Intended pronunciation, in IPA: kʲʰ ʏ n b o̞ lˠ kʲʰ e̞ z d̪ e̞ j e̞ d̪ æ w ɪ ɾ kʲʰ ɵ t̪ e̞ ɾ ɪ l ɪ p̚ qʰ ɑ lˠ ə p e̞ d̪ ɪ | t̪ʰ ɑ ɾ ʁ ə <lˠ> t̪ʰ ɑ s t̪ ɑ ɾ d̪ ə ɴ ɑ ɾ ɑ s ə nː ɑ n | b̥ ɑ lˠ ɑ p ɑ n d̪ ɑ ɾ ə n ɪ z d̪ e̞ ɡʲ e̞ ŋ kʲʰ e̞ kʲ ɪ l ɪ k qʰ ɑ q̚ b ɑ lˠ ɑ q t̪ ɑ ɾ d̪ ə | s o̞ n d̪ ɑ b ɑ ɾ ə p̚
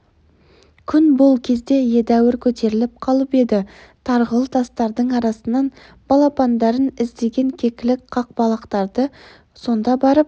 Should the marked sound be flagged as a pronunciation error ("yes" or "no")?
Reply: no